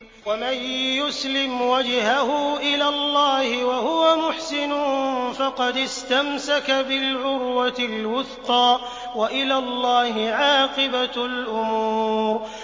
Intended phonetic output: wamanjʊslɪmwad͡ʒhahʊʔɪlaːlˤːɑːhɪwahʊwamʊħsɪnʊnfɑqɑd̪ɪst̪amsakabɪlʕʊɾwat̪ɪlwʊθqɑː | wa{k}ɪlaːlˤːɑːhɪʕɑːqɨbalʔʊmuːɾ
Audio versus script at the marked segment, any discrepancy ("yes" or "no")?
yes